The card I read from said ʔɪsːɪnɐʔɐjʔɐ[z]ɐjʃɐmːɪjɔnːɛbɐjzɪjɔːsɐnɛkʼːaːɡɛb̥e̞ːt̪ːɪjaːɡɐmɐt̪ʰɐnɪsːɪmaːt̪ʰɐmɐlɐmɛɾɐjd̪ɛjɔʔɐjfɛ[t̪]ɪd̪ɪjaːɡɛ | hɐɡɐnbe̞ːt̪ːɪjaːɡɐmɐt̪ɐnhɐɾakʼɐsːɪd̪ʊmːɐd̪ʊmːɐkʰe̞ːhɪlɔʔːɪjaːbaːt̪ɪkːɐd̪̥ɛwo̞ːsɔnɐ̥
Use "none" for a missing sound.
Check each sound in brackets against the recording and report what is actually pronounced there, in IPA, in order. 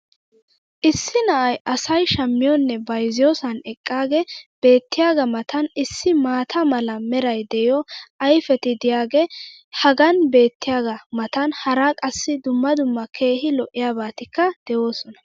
s, t̪

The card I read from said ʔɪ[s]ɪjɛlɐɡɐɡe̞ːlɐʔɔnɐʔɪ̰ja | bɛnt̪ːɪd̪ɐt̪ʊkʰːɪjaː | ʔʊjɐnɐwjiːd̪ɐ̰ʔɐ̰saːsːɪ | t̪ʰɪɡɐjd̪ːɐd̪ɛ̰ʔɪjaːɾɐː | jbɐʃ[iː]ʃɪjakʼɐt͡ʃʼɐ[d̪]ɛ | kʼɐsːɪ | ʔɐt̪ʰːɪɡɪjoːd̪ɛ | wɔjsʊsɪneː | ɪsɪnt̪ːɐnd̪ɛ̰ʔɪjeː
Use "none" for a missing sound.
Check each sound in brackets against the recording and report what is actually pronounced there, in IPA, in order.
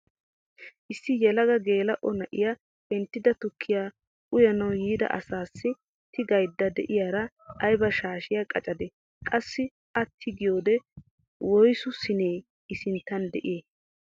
sː, aː, d̪

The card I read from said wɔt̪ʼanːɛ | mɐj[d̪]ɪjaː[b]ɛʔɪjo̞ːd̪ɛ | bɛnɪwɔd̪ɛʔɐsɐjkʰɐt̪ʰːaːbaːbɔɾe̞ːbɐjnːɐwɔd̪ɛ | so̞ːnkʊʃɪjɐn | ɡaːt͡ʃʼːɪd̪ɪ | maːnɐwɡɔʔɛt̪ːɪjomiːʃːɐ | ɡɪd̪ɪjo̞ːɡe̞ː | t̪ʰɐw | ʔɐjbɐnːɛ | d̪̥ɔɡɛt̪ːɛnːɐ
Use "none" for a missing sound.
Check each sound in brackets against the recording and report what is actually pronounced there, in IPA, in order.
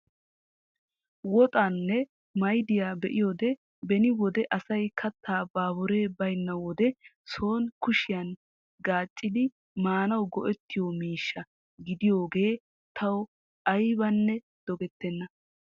d̪, b

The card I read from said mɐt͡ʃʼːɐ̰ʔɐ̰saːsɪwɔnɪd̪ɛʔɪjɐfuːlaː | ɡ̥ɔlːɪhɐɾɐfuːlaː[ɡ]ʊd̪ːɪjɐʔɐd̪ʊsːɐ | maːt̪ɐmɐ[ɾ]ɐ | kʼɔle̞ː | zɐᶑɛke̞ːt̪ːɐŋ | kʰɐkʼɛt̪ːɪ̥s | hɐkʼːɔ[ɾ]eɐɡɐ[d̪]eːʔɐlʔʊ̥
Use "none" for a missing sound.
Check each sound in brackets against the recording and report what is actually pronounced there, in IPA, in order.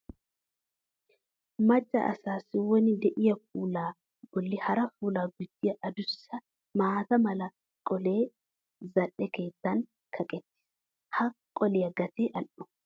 ɡ, l, l, t̪

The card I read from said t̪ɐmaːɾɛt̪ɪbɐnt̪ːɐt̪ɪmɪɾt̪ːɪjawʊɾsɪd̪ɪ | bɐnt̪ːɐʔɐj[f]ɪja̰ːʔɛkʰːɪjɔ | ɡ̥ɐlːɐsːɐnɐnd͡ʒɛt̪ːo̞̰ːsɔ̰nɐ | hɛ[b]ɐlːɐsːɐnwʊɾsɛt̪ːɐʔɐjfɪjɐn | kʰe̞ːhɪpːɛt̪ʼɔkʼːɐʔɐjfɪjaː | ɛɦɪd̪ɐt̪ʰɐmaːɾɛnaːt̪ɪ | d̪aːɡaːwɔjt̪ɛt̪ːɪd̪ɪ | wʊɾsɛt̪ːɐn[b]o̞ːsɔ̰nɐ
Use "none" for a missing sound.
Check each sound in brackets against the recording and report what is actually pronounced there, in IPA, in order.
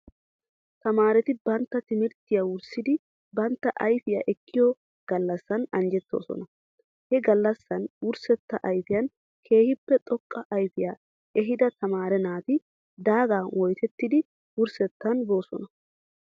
f, ɡ, b

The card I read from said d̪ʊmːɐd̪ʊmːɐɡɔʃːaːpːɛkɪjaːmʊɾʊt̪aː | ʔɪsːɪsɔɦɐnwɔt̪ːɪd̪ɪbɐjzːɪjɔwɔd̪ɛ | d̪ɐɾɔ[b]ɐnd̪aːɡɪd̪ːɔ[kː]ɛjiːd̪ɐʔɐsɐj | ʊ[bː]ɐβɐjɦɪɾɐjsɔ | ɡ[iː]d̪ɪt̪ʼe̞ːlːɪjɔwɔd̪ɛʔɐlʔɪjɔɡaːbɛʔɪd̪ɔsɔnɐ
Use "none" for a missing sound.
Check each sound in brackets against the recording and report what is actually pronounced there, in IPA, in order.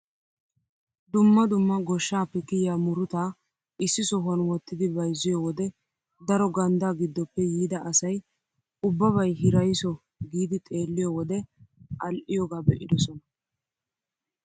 ɡ, pː, bː, iː

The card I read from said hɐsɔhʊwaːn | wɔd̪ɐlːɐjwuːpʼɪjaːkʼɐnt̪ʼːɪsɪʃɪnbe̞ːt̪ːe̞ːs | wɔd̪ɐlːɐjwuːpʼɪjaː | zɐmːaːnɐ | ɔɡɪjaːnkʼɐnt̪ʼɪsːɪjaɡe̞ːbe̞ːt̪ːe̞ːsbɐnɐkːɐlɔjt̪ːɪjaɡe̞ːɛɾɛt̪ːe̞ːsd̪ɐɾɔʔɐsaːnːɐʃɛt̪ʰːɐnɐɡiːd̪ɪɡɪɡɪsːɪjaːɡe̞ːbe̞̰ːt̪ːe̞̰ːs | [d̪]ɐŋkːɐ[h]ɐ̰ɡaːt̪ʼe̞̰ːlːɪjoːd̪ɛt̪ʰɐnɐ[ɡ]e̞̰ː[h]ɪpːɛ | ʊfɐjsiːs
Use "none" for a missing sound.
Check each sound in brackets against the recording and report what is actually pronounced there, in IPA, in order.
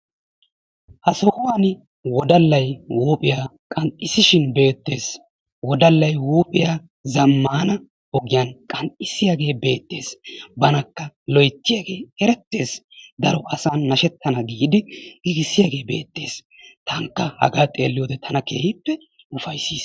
t̪, h, k, h

